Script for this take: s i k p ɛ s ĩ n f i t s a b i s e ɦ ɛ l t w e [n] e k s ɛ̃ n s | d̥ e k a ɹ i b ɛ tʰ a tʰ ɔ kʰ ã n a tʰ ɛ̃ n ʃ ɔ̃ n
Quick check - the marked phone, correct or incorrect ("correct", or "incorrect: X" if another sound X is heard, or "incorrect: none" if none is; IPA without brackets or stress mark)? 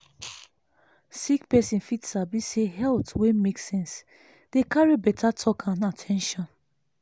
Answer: incorrect: m